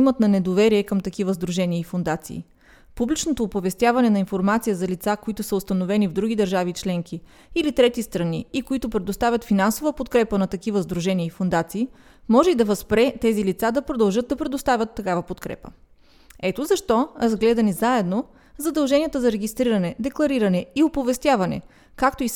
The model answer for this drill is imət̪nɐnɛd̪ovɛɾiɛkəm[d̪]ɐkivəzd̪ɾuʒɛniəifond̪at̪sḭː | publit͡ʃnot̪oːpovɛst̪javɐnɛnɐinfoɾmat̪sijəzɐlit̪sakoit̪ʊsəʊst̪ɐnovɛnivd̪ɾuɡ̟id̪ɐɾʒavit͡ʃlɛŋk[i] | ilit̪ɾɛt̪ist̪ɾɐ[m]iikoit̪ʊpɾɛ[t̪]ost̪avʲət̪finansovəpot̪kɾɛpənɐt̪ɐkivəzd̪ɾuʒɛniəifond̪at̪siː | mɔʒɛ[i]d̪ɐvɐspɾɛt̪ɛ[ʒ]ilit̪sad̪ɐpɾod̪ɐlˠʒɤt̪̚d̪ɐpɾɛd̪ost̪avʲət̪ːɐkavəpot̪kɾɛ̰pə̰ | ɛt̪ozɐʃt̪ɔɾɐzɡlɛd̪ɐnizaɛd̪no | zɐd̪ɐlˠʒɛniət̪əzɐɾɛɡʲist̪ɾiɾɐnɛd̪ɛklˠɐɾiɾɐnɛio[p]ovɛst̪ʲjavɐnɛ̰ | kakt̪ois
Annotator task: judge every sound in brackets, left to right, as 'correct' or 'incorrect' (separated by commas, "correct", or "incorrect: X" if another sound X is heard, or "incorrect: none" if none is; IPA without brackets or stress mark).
incorrect: t̪, correct, incorrect: n, incorrect: d̪, correct, incorrect: z, correct